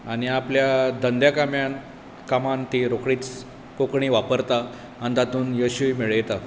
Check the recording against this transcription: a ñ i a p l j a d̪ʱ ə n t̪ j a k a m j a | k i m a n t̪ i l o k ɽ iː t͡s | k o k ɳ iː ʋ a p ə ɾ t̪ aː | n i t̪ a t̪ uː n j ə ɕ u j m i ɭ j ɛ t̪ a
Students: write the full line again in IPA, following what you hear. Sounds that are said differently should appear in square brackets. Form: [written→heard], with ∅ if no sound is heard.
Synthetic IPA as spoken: a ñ i a p l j a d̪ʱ ə n [t̪→d̪] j a k a m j a | k [i→a] m a n t̪ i [l→ɾ] o k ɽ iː t͡s | k o k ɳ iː ʋ a p ə ɾ t̪ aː | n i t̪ a t̪ uː n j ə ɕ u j m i ɭ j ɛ t̪ a